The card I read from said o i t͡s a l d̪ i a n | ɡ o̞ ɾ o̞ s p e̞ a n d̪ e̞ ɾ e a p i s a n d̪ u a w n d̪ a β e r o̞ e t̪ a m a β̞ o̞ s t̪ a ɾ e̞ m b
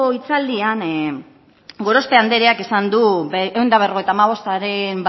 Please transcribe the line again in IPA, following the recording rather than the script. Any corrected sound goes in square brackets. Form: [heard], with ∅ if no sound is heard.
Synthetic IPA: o i t͡s a l d̪ i a n | ɡ o̞ ɾ o̞ s p e̞ a n d̪ e̞ ɾ e a [k] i s a n d̪ u [e] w n d̪ a β e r o̞ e t̪ a m a β̞ o̞ s t̪ a ɾ e̞ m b